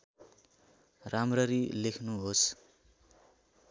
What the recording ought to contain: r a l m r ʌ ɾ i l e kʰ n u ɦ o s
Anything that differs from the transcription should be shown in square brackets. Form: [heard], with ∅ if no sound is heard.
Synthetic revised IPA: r a [∅] m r ʌ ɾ i l e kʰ n u ɦ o s